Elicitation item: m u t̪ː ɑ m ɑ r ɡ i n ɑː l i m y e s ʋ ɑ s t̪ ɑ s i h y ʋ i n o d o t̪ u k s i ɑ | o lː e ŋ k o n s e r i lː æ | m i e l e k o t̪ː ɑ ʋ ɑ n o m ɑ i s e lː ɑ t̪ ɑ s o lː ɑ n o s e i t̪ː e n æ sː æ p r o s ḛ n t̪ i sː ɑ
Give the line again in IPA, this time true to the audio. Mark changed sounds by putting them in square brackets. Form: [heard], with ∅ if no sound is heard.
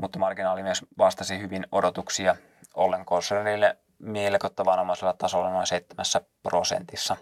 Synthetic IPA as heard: m u t̪ː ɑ m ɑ r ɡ i n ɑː l i m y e s ʋ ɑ s t̪ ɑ s i h y ʋ i n o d o t̪ u k s i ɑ | o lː e ŋ k o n s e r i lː [e] | m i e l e k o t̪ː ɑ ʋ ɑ n o m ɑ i s e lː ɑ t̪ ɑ s o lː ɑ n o s e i t̪ː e [m] æ sː æ p r o s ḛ n t̪ i sː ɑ